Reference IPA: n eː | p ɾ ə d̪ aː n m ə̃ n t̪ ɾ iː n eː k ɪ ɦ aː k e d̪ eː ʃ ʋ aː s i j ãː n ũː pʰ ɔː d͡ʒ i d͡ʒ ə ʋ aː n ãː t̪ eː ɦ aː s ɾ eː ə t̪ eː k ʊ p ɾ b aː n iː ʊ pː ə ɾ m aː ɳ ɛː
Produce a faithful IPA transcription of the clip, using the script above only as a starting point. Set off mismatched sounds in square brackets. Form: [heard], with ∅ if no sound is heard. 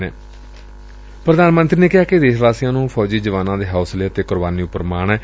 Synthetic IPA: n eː | p ɾ ə d̪ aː n m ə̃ n t̪ ɾ iː n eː k ɪ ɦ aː k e d̪ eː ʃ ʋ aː s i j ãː n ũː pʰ ɔː d͡ʒ [iː] d͡ʒ ə ʋ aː n ãː [d̪] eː ɦ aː s [l] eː ə t̪ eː k ʊ [∅] ɾ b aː n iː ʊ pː ə ɾ m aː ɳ ɛː